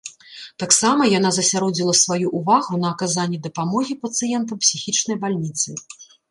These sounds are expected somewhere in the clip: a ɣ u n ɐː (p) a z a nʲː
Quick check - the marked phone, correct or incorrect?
incorrect